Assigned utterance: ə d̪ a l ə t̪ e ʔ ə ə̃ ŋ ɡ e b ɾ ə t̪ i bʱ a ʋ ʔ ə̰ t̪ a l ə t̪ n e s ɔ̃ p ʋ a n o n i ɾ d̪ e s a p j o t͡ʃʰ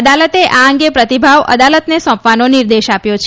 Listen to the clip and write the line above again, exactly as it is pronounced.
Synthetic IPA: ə d̪ a l ə t̪ e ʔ a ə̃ ŋ ɡ e p ɾ ə t̪ i bʱ a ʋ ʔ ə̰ d̪ a l ə t̪ n e s ɔ̃ p ʋ a n o n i ɾ d̪ e ʃ a p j o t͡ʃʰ